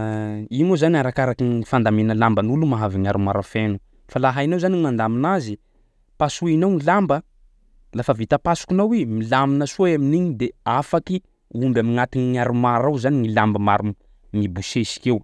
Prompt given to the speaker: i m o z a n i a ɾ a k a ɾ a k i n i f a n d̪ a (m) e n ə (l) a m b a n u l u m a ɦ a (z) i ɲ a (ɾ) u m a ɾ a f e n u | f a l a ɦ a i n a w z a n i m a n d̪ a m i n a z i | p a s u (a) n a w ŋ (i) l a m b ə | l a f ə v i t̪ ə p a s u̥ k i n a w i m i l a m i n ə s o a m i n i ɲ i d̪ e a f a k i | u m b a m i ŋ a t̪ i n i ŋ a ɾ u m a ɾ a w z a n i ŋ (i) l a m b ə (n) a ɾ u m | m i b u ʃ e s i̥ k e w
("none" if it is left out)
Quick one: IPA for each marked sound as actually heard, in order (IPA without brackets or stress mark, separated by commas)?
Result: m, l, v, ɾ, i, i, i, m